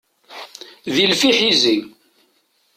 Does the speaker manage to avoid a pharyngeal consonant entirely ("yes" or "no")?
no